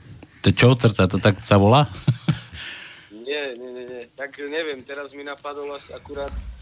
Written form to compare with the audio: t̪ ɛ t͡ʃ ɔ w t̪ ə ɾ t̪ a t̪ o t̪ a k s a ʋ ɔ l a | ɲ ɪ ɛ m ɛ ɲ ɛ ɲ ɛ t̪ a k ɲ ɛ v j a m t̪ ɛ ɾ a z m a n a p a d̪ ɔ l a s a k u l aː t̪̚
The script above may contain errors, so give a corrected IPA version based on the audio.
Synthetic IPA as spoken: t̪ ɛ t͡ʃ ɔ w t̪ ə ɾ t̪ a t̪ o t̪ a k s a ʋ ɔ l a | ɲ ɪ ɛ ɲ ɛ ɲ ɛ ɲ ɛ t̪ a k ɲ ɛ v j ɛ m t̪ ɛ ɾ a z m i n a p a d̪ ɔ l a s a k u ɾ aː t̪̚